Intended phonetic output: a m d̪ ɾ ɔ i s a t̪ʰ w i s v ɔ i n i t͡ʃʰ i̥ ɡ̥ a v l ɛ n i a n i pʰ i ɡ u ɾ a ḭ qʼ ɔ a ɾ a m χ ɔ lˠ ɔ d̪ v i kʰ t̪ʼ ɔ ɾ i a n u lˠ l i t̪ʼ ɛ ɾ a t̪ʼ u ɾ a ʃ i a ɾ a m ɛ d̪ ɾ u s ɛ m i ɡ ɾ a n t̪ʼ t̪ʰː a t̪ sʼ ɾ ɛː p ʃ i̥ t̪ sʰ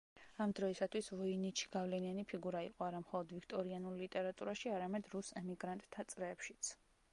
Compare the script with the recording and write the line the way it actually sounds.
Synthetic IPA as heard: a m d̪ ɾ ɔ i s a t̪ʰ w i s v ɔ i n i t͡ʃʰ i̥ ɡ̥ a v l ɛ n i a n i pʰ i ɡ u ɾ a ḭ qʼ ɔ a ɾ a m χ ɔ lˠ ɔ d̪ v i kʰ t̪ʼ ɔ ɾ i a n u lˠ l i t̪ʼ ɛ ɾ a t̪ʼ u ɾ a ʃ i a ɾ a m ɛ d̪ ɾ u s ɛ m i ɡ ɾ a n t̪ʼ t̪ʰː a t̪ sʼ ɾ ɛː p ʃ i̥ t̪ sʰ